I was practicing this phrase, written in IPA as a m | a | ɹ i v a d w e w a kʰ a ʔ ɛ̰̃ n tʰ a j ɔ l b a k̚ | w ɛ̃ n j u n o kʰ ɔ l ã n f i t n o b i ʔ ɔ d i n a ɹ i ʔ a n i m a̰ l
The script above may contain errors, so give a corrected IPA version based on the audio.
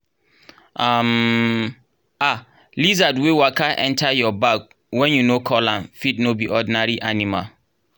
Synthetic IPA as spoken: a m | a | l i z a d w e w a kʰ a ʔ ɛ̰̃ n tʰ a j ɔ b a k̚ | w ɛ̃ n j u n o kʰ ɔ l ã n f i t n o b i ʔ ɔ d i n a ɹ i ʔ a n i m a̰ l

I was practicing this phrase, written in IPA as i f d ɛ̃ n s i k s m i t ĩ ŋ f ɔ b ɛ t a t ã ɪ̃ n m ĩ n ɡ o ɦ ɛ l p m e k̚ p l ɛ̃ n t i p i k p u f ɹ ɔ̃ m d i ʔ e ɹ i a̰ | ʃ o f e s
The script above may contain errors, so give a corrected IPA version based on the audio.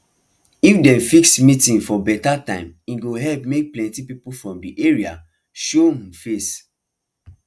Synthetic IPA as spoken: i f d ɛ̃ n f i k s m i t ĩ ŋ f ɔ b ɛ t a t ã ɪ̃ m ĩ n ɡ o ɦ ɛ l p m e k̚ p l ɛ̃ n t i p i p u f ɹ ɔ̃ m d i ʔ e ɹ i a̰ | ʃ o f e s

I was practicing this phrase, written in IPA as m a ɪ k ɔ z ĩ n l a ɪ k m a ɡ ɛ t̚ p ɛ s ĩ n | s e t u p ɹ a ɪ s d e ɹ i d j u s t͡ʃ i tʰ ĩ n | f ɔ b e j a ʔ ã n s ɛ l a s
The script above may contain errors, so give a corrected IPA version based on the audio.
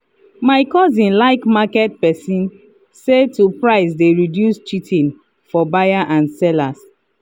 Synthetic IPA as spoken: m a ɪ k ɔ z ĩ n l a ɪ k m a k ɛ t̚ p ɛ s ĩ n | s e t u p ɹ a ɪ s d e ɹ i d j u s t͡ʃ i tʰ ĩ n | f ɔ b a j a ʔ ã n s ɛ l a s

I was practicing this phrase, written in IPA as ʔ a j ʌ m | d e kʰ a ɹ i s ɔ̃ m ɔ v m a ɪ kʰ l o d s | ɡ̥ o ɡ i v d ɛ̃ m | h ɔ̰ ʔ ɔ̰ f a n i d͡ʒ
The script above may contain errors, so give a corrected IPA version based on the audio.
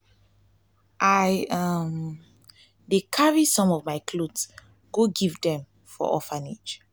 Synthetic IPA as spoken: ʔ a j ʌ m | d e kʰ a ɹ i s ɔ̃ m ɔ v m a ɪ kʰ l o d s | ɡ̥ o ɡ i v d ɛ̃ m | f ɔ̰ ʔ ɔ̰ f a n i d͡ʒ

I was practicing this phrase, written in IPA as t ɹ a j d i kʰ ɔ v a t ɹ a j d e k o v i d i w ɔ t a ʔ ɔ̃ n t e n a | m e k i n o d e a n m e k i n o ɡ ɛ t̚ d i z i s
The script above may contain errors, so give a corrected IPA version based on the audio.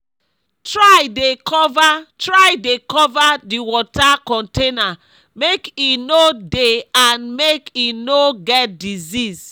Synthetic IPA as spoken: t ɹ a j d e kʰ ɔ v a t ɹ a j d e k ɔ v a d i w ɔ t a k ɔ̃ n t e n a | m e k i n o d e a n m e k i n o ɡ ɛ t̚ d i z i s

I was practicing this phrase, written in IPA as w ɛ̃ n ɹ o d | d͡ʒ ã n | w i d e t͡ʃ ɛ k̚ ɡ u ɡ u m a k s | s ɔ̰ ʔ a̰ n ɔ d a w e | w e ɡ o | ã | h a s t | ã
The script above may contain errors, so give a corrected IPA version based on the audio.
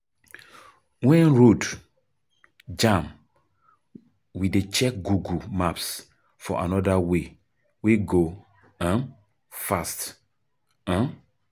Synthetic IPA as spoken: w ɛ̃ n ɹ o d | d͡ʒ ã m | w i d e t͡ʃ ɛ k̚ ɡ u ɡ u m a p s | f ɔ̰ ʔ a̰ n ɔ d a w e | w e ɡ o | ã | f a s t | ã

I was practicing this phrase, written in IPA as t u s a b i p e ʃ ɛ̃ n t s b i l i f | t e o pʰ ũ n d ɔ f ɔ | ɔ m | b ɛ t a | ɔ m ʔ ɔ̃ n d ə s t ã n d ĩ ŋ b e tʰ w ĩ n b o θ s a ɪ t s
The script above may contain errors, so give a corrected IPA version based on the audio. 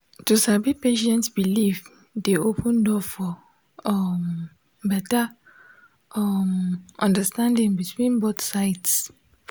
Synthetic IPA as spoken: t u s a b i p e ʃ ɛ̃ n t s b i l i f | d e o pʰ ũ n d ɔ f ɔ | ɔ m | b ɛ t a | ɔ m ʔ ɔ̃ n d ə s t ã n d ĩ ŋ b i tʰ w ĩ n b o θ s a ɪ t s

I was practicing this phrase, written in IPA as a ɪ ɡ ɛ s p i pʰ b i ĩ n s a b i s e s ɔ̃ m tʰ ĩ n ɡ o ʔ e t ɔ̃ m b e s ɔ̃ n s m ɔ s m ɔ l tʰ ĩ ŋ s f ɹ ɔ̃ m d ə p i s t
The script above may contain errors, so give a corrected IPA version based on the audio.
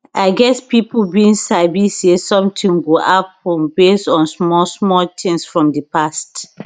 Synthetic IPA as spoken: a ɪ ɡ ɛ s p i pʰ b i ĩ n s a b i s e s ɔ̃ m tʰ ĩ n ɡ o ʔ a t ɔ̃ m b e s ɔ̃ n s m ɔ s m ɔ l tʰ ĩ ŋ s f ɹ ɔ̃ m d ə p a s t

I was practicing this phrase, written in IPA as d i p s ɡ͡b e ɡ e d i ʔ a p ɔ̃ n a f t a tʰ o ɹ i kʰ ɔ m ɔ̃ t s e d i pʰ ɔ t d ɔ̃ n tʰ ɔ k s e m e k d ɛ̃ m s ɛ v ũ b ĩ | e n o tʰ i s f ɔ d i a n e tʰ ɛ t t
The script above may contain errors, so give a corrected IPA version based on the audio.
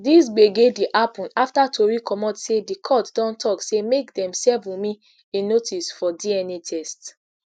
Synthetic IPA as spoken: d i s ɡ͡b e ɡ e d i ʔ a p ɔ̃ n a f t a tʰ o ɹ i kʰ ɔ m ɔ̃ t s e d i kʰ ɔ t d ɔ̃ n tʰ ɔ k s e m e k d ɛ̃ m s ɛ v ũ m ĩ | e n o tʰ i s f ɔ d i ɛ n e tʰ ɛ s t

